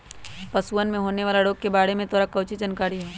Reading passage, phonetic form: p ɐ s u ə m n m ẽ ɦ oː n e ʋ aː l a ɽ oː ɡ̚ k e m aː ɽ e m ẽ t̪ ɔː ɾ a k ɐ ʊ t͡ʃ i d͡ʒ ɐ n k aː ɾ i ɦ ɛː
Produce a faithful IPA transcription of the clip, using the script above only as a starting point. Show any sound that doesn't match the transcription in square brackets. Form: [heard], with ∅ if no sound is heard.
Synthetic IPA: p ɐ s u ə [∅] n m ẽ ɦ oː n e ʋ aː l a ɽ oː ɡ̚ k e [b] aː ɽ e m ẽ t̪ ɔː ɾ a k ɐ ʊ t͡ʃ i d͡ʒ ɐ n k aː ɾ i ɦ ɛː